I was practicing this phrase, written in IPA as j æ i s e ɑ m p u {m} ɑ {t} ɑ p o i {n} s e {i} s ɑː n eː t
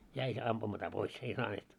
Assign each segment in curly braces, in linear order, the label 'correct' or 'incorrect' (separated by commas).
correct, correct, incorrect, correct